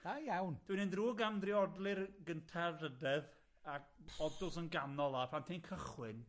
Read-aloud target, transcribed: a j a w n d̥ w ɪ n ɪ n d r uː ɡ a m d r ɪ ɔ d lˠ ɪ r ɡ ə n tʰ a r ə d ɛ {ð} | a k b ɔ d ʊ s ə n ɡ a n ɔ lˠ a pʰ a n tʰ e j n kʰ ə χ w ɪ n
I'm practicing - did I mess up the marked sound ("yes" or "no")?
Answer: no